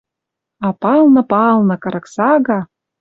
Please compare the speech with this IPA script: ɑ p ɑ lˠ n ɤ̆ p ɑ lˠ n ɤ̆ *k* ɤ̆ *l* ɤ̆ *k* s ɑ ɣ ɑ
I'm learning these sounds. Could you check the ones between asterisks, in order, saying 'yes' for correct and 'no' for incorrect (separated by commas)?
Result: yes, no, yes